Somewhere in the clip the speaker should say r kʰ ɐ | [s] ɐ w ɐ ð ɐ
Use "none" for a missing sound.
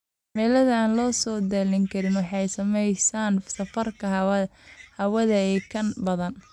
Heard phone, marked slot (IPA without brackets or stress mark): h